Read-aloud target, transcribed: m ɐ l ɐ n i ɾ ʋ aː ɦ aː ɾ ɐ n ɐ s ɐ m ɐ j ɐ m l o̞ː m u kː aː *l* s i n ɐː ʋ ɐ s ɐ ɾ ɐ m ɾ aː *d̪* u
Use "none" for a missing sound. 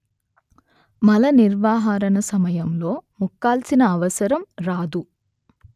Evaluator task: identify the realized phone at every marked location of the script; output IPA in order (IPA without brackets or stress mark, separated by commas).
l, d̪